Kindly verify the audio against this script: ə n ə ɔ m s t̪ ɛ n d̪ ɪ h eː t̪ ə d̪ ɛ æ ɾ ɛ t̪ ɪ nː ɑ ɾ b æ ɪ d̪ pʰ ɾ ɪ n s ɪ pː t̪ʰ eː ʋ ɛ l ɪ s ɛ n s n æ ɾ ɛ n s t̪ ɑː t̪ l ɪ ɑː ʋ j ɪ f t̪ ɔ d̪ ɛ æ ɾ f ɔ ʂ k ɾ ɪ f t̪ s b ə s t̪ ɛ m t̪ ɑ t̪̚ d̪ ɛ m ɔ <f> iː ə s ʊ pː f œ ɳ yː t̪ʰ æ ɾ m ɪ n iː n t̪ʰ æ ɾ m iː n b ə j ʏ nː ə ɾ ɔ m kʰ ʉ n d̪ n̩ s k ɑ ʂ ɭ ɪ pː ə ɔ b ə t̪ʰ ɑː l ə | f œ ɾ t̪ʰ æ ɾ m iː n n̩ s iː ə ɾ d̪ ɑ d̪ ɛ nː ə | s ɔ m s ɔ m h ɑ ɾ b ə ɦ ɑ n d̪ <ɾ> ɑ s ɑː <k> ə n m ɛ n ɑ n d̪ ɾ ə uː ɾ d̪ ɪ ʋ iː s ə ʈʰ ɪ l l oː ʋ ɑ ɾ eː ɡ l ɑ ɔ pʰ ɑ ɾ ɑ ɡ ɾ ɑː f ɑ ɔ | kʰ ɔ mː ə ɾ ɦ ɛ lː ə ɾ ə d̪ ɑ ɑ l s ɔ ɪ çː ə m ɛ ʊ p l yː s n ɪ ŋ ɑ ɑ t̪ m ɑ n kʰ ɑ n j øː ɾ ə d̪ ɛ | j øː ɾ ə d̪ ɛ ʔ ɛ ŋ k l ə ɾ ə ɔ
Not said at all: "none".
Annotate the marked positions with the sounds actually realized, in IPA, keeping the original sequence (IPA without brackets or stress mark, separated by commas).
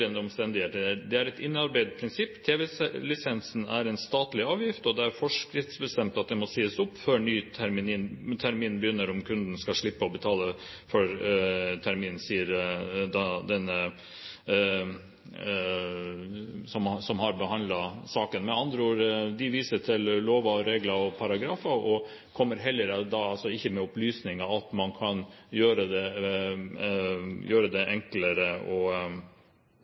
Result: s, l, k